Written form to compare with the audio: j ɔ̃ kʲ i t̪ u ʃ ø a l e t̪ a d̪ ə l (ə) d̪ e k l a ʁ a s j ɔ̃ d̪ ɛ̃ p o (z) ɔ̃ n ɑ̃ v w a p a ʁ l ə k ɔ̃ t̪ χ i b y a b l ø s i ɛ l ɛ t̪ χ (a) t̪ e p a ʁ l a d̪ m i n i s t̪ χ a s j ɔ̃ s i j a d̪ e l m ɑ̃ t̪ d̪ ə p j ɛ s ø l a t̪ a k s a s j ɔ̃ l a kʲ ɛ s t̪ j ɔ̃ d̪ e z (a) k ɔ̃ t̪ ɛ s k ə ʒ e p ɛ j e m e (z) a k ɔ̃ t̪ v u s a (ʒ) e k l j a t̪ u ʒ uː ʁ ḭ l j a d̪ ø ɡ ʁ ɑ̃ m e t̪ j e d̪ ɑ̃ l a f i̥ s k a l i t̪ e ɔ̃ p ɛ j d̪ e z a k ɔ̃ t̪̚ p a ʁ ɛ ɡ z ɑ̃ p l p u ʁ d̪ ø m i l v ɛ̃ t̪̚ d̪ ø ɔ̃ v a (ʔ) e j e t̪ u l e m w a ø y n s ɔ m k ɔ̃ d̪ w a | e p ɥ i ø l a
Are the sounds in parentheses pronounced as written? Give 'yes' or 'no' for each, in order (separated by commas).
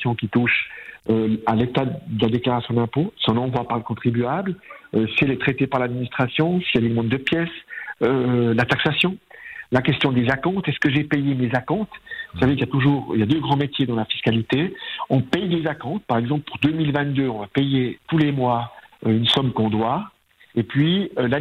no, no, no, yes, yes, no, no